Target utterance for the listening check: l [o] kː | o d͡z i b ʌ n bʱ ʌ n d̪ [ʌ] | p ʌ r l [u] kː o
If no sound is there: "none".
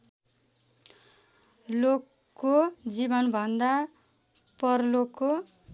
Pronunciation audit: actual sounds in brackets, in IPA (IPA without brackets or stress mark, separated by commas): o, a, o